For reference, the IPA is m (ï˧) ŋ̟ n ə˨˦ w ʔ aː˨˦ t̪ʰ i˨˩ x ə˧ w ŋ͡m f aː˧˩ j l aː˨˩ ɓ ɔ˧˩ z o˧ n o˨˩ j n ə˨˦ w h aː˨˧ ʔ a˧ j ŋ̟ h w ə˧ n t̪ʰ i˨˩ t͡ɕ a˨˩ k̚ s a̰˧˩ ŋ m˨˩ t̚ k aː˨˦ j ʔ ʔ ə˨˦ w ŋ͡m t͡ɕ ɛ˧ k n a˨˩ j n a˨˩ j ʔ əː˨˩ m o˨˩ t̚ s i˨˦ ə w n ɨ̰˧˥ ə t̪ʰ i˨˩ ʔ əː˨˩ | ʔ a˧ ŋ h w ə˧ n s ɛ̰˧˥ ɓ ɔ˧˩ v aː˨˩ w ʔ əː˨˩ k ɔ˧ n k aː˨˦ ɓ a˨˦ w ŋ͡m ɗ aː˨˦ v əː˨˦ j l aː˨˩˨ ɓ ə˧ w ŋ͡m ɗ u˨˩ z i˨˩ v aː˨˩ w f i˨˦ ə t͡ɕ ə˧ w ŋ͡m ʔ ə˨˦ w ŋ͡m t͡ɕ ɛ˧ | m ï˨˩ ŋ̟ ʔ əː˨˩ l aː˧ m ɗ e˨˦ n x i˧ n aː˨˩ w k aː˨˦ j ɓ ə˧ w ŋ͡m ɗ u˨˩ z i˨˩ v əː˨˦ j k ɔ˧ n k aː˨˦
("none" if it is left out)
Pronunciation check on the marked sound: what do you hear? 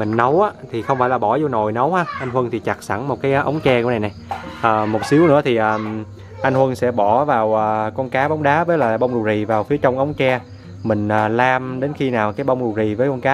ï˨˩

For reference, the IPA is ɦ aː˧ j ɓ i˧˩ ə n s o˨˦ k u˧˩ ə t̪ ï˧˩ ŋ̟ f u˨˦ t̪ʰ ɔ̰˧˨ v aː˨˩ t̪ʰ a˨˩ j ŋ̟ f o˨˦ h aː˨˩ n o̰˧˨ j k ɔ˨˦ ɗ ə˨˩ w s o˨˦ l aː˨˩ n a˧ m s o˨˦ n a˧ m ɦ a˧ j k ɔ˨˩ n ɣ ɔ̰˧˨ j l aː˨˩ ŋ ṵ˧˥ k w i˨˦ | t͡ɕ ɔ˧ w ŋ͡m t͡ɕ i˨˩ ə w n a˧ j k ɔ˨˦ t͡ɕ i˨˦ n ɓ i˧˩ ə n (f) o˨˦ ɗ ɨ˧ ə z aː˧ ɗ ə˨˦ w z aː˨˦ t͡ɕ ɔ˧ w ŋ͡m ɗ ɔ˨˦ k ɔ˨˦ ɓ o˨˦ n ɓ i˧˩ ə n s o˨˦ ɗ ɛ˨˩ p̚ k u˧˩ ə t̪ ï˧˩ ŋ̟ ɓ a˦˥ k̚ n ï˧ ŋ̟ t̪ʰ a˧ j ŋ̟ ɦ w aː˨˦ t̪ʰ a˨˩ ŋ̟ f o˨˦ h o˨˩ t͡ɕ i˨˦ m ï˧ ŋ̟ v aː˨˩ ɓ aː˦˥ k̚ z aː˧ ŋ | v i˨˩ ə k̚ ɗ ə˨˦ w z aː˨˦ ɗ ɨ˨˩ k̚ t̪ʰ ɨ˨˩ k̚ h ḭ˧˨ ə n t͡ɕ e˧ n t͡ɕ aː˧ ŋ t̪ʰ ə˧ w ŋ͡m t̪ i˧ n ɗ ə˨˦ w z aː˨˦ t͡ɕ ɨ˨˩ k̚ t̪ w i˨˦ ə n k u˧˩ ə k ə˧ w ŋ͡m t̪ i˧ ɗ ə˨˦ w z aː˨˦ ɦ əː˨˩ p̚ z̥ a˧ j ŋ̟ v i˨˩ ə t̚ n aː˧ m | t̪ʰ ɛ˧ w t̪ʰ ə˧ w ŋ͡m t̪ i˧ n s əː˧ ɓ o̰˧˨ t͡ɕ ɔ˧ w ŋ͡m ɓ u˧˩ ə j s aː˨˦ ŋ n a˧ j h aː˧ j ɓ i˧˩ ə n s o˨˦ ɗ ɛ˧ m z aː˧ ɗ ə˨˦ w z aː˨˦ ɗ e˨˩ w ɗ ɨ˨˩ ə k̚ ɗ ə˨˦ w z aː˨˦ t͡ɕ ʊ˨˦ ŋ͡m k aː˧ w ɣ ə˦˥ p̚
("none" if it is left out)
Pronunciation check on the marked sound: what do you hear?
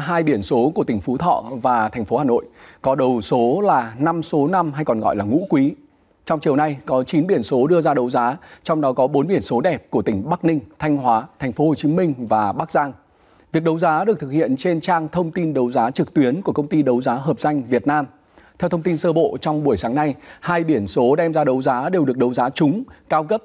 s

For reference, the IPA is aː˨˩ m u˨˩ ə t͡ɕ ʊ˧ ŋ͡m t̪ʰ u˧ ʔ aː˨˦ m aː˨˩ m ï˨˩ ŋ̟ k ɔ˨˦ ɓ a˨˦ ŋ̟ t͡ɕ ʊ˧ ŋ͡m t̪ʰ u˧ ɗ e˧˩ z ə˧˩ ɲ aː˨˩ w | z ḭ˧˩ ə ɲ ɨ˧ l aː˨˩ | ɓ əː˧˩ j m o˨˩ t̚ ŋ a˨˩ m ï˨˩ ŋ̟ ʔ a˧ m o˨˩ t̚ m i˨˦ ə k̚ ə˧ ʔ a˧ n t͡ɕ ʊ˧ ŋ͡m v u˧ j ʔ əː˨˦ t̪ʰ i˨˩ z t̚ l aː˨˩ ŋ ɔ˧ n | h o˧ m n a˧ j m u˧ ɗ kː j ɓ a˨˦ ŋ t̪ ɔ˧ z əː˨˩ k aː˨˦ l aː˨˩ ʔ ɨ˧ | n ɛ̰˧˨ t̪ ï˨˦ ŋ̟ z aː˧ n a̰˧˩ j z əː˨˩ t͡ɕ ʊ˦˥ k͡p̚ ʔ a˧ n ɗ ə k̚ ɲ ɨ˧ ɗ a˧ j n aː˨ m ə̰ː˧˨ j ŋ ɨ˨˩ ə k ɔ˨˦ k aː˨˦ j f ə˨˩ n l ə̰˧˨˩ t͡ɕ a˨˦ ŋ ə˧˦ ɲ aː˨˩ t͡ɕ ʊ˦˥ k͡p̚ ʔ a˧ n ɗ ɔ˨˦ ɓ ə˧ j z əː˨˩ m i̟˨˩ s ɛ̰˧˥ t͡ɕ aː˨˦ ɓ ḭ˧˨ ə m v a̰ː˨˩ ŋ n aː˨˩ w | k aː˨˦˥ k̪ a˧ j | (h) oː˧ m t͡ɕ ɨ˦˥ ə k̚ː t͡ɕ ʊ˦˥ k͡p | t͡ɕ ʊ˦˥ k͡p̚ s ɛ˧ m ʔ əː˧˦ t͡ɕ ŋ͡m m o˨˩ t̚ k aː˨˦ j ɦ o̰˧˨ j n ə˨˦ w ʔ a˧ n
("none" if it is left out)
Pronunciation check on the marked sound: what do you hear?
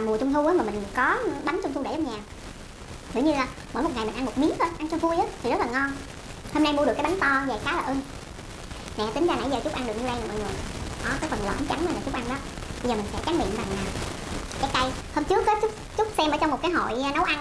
h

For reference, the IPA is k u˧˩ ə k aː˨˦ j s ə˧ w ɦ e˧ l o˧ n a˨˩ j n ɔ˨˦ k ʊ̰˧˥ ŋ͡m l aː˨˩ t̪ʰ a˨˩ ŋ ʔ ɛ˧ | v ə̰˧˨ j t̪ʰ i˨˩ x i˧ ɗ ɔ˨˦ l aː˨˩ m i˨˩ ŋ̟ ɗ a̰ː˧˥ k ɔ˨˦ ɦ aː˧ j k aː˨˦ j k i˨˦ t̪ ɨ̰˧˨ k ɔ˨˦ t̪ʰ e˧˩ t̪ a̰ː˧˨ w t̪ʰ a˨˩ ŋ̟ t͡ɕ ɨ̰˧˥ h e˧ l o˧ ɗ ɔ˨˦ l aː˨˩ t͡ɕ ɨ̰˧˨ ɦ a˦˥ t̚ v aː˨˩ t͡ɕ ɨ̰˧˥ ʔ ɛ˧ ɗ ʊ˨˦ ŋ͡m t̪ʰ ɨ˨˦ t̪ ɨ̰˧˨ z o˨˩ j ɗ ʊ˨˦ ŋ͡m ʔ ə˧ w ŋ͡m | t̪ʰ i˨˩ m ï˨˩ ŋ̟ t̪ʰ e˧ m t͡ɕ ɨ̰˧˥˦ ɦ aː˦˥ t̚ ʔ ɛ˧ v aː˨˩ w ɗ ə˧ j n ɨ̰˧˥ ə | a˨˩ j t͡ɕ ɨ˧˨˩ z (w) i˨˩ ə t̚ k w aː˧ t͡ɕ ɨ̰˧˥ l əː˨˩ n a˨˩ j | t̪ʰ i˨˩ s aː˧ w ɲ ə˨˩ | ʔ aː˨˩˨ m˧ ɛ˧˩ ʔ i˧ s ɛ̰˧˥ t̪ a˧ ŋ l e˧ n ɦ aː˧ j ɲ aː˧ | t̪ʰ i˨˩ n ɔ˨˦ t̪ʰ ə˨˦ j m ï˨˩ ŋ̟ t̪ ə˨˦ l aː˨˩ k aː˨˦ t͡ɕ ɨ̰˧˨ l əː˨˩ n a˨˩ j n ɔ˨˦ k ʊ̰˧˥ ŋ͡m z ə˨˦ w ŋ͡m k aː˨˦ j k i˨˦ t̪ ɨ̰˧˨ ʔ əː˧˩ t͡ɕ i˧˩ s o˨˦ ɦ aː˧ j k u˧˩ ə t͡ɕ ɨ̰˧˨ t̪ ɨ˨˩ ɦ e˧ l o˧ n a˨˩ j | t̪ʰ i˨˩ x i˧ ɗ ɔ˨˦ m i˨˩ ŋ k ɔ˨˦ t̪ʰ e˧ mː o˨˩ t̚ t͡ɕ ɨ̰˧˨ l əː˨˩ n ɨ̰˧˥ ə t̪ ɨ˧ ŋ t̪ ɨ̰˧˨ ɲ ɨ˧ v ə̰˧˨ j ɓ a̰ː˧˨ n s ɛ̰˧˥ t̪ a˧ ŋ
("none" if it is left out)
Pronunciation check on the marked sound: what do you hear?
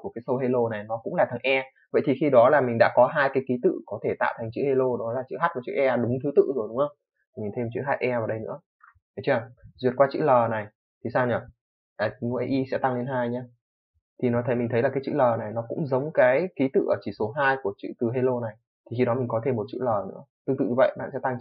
w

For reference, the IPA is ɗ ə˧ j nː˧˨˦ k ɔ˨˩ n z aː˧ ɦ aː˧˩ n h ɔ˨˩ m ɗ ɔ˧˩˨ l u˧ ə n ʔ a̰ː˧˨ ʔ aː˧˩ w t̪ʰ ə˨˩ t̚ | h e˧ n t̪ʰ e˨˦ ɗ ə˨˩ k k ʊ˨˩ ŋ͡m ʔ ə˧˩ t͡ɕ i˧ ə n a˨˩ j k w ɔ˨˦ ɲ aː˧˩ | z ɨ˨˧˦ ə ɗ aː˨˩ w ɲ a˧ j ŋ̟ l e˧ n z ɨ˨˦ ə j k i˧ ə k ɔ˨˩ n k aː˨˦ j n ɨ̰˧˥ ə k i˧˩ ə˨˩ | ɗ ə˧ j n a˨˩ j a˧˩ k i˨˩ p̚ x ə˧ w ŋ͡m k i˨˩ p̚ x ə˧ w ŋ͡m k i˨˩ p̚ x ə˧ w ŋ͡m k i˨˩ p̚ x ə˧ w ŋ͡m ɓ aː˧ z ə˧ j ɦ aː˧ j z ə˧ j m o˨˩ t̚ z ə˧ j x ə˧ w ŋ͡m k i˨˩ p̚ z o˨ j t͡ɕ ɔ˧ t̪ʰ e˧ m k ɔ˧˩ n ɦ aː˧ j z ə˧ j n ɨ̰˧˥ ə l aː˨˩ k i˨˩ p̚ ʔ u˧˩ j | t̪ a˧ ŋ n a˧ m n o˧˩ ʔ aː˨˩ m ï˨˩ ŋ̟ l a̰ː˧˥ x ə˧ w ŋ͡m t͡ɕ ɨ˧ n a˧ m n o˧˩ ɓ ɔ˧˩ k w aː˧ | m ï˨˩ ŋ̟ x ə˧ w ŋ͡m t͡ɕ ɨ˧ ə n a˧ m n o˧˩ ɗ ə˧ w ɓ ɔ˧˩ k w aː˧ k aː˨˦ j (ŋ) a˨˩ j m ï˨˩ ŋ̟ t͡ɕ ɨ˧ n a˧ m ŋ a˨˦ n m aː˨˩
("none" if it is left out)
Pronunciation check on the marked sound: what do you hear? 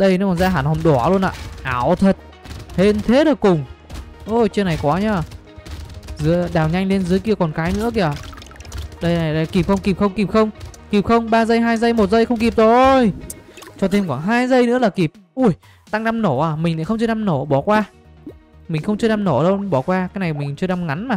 n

